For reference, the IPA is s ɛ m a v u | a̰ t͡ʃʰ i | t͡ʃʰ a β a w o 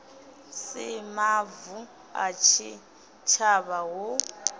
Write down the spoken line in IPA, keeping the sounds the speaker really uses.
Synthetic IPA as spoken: s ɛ m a v u | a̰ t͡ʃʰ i | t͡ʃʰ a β a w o